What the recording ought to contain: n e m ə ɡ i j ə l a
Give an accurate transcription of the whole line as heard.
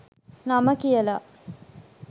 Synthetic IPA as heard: n a m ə k i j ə l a